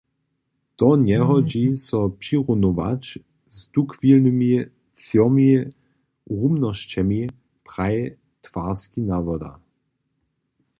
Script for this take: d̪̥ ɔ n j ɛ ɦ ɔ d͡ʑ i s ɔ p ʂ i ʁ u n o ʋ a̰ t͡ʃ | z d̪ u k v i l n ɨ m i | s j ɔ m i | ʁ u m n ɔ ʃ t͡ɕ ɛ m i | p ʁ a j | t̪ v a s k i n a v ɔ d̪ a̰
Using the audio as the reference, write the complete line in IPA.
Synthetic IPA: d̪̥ ɔ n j ɛ ɦ ɔ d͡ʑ i s ɔ p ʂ i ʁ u n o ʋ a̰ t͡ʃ | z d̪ u k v i l n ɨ m i | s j ɔ m i | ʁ u m n ɔ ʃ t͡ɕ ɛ m i | p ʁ a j | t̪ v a s k i n a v ɔ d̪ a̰

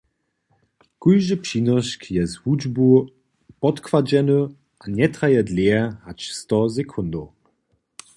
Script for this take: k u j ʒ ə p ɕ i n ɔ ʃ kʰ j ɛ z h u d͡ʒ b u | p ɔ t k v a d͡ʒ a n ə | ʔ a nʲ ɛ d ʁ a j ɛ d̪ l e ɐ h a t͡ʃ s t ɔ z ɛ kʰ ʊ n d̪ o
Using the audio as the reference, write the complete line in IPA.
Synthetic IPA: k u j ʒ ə p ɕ i n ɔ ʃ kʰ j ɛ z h u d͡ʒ b u | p ɔ t k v a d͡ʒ ɛ n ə | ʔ a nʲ ɛ t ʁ a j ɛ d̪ l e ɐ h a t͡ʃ s t ɔ z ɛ kʰ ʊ n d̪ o

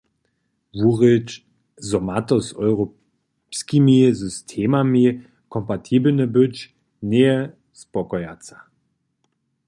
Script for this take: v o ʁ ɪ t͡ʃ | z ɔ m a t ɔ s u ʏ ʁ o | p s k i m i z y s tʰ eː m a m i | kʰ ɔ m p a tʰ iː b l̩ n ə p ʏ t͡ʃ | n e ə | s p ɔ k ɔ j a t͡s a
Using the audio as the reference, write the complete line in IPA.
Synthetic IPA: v u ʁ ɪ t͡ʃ | z ɔ m a t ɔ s ɔ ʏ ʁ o | p s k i m i z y s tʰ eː m a m i | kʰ ɔ m p a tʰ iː b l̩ n ə b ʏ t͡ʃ | n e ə | s p ɔ k ɔ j a t͡s a

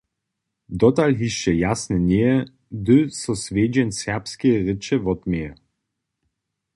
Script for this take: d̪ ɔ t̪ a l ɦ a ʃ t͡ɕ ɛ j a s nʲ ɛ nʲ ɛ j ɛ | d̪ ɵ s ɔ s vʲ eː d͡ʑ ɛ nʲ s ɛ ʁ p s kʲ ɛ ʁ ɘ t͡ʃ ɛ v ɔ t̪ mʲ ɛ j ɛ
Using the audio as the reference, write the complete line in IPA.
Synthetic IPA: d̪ ɔ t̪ a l ɦ i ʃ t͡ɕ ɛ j a s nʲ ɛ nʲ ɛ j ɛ | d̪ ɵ s ɔ s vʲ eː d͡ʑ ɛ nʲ s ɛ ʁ p s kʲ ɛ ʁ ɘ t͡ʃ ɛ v ɔ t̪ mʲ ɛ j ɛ

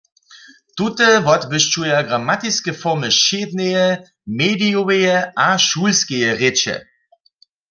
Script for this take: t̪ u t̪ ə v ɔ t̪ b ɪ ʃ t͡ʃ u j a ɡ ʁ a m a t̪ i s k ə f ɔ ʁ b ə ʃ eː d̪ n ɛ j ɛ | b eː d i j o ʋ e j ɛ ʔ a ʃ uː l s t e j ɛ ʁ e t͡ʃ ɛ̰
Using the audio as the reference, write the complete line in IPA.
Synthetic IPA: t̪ u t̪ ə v ɔ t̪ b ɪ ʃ t͡ʃ u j a ɡ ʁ a m a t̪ i s k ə f ɔ ʁ m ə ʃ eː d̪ n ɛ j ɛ | m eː d i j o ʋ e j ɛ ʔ a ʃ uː l s k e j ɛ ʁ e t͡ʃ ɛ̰

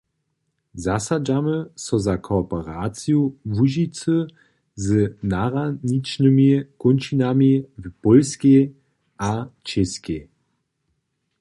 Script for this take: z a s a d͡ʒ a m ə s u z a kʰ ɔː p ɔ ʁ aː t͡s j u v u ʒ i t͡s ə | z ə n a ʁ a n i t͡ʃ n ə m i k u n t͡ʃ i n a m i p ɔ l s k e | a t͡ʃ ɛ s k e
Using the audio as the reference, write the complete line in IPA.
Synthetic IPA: z a s a d͡ʒ a m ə s ɔ z a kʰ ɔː p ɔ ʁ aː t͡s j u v u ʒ i t͡s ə | z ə n a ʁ a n i t͡ʃ n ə m i k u n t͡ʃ i n a m i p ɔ l s k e | a t͡ʃ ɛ s k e

